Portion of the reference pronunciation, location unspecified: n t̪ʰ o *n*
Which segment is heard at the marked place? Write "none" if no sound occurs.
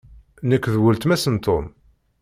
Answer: m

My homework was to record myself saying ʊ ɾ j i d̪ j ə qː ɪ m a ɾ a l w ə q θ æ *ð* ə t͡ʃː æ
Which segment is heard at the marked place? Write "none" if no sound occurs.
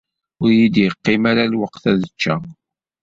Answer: ð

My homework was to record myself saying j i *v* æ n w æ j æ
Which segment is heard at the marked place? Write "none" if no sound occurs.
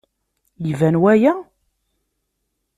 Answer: v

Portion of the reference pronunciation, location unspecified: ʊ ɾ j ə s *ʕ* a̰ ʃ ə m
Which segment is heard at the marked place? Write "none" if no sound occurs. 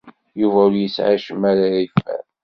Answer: ʕ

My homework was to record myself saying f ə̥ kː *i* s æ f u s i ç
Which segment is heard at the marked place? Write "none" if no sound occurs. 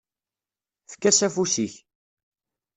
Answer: æ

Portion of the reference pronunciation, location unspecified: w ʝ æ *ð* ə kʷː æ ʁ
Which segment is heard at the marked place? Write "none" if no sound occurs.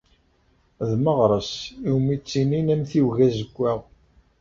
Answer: z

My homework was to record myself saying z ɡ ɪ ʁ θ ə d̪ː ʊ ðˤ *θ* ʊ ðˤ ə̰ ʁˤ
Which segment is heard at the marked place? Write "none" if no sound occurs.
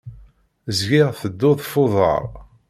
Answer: f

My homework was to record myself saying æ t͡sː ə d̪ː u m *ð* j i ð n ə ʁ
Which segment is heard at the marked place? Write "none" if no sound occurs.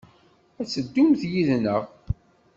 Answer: θ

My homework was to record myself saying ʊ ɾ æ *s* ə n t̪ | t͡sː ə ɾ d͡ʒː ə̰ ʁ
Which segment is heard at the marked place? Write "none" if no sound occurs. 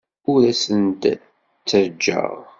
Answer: s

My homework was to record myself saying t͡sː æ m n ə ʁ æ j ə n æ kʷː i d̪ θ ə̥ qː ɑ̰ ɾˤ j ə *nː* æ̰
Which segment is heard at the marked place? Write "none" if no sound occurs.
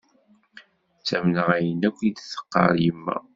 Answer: mː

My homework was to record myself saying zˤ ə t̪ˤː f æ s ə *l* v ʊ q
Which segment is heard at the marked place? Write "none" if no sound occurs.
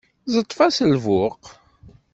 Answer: l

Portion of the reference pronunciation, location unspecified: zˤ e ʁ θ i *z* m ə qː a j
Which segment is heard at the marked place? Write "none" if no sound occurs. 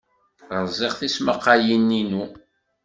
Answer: s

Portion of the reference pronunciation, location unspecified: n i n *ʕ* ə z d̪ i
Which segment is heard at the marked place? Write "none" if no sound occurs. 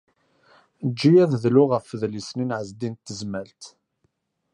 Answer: ʕ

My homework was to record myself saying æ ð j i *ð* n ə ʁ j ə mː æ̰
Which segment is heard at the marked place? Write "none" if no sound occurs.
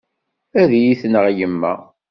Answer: θ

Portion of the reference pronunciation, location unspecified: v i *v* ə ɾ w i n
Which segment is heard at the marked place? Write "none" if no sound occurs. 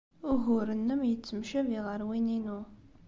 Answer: ʁ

